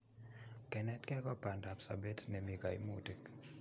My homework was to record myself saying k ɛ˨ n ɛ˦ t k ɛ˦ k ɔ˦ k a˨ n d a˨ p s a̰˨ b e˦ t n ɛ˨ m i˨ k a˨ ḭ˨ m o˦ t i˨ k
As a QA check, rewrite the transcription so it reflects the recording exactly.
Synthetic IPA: k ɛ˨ n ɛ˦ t k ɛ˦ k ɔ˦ p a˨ n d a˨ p s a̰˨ b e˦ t n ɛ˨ m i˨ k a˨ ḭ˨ m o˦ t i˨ k